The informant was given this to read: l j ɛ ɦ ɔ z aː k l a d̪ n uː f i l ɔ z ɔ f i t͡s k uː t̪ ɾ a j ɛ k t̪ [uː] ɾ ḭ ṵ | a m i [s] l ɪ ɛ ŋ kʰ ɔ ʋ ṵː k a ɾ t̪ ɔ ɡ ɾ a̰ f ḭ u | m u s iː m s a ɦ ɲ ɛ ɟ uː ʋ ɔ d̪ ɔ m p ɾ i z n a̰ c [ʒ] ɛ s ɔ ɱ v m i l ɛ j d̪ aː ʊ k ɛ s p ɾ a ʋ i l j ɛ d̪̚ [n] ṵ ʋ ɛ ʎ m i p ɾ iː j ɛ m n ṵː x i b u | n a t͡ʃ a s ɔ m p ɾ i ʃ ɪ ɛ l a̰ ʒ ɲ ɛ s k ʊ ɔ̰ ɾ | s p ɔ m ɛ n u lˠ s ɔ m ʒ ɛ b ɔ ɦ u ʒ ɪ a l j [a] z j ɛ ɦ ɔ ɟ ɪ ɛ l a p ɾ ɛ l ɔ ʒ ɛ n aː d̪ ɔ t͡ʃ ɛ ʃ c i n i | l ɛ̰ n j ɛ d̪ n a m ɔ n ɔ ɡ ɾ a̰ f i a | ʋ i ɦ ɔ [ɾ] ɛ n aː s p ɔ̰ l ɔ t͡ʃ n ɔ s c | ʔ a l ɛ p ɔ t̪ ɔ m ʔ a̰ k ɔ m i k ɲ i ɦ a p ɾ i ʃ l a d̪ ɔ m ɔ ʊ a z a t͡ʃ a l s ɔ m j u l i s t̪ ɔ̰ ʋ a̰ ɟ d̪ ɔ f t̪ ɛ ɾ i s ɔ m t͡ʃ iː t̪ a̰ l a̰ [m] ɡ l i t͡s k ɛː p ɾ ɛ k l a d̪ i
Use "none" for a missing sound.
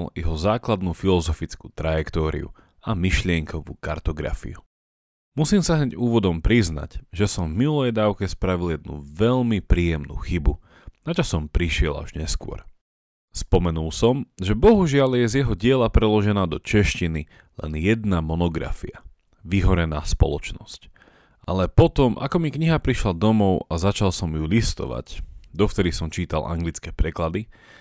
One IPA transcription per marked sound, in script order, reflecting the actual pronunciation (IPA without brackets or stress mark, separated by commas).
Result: ɔː, ʃ, ʒ, n, ɛ, ɾ, ŋ